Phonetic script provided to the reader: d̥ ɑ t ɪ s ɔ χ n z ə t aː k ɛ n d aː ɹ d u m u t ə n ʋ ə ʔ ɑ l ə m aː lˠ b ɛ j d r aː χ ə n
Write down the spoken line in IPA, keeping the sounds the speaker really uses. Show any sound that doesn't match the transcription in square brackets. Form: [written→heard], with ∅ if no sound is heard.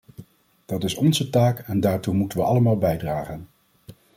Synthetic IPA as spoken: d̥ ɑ t ɪ s ɔ [χ→∅] n z ə t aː k ɛ n d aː ɹ [d→t] u m u t ə n ʋ ə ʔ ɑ l ə m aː lˠ b ɛ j d r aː χ ə n

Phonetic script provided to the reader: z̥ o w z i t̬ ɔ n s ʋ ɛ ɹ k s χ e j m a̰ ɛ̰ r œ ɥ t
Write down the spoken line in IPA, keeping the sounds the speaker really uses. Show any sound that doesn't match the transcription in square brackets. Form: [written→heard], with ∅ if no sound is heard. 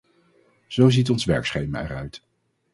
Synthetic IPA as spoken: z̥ o w z i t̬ ɔ n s ʋ ɛ ɹ k s χ e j m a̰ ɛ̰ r œ ɥ t

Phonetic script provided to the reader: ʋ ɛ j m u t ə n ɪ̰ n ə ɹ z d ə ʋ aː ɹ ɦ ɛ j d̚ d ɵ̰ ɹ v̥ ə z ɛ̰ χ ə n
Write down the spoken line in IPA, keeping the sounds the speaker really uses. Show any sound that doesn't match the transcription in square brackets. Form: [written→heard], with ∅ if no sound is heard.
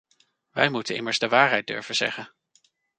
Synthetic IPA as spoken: ʋ ɛ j m u t ə n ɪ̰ [n→m] ə ɹ z d ə ʋ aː ɹ ɦ ɛ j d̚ d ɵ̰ ɹ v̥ ə z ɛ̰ χ ə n

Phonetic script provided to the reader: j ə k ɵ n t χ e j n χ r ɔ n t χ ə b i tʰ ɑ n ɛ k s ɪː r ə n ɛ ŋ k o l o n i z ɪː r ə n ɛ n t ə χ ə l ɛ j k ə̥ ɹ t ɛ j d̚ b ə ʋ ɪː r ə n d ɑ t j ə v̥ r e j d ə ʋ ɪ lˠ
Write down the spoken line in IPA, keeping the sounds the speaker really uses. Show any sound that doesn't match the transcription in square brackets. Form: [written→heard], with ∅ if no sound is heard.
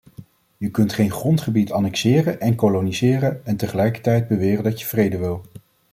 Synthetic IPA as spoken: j ə k ɵ n t χ e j n χ r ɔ n t χ ə b i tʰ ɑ n ɛ k s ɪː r ə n ɛ [ŋ→n] k o l o n i z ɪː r ə n ɛ n t ə χ ə l ɛ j k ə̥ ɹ t ɛ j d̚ b ə ʋ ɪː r ə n d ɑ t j ə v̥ r e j d ə ʋ ɪ lˠ

